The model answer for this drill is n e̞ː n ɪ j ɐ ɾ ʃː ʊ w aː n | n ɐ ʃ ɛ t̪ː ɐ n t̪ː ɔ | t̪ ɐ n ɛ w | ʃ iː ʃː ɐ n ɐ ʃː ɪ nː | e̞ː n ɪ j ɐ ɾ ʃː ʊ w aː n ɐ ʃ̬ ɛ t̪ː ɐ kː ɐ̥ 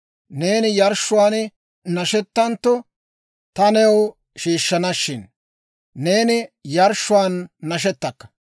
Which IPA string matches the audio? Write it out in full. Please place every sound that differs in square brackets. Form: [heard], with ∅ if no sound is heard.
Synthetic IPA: n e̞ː n ɪ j ɐ ɾ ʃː ʊ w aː n | n ɐ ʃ ɛ t̪ː ɐ n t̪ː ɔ | t̪ ɐ n ɛ w | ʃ iː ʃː ɐ n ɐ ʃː ɪ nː | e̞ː n ɪ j ɐ ɾ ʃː ʊ w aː [nː] ɐ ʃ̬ ɛ t̪ː ɐ kː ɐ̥